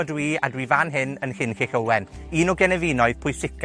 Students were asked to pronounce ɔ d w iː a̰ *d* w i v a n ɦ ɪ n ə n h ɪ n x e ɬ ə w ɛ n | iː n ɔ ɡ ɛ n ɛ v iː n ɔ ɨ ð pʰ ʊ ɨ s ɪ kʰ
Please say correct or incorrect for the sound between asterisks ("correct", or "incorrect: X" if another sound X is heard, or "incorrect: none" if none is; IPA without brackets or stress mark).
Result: correct